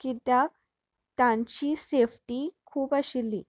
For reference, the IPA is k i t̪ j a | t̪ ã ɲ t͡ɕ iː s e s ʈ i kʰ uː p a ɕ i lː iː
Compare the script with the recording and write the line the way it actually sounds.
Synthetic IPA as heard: k i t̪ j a | t̪ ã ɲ t͡ɕ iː s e f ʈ i kʰ uː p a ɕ i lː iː